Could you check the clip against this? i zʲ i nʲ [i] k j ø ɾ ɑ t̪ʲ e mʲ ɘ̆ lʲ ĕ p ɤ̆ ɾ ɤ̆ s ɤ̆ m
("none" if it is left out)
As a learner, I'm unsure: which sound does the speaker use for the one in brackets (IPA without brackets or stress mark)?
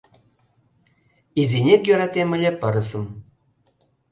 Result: e